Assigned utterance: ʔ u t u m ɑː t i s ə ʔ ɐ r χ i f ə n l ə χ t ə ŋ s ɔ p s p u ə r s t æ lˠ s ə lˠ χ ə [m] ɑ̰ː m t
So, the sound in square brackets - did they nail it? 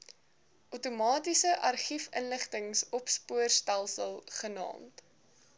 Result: no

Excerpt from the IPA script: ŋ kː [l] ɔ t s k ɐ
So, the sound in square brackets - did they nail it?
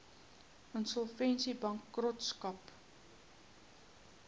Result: no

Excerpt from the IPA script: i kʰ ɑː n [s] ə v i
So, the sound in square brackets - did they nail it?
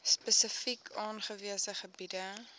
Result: no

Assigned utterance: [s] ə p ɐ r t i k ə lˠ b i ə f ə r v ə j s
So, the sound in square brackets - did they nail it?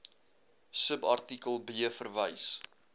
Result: yes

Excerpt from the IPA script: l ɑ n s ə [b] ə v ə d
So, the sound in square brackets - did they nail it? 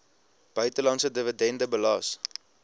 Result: no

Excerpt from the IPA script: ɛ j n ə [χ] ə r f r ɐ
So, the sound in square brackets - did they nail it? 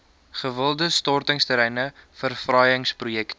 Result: no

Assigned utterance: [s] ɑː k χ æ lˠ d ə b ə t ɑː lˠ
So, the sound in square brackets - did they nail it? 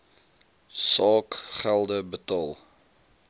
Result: yes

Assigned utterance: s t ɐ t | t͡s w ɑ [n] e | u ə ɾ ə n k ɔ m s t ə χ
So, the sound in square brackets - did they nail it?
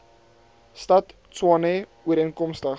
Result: yes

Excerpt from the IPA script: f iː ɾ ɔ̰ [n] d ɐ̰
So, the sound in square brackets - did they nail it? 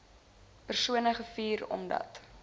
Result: no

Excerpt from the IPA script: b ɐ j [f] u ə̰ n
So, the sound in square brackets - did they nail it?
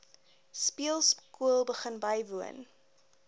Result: no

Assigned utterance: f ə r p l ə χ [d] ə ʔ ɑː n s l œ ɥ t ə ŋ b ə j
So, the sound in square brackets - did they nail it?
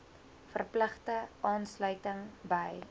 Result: no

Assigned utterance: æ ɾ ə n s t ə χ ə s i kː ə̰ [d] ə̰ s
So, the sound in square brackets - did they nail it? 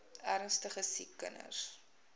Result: no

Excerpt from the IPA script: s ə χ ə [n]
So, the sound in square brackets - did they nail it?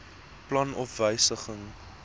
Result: no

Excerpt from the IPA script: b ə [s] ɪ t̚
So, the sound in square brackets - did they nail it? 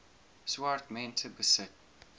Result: yes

